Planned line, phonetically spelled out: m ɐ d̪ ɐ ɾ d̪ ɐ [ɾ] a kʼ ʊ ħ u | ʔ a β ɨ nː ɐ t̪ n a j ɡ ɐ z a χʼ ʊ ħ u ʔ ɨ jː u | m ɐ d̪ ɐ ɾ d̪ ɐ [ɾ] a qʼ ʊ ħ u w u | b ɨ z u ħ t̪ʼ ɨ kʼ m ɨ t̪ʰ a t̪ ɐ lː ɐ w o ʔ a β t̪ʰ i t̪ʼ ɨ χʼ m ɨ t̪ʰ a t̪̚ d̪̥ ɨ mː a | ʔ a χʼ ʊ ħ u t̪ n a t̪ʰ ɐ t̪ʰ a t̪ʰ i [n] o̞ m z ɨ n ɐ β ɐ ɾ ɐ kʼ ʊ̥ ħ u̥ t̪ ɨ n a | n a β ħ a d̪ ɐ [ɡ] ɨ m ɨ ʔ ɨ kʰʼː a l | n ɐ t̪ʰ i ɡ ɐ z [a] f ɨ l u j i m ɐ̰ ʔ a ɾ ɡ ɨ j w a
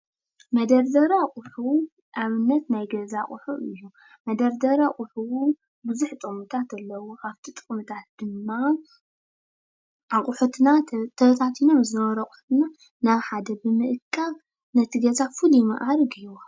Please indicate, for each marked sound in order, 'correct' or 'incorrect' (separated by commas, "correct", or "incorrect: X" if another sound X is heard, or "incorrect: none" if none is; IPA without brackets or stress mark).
correct, correct, correct, incorrect: b, correct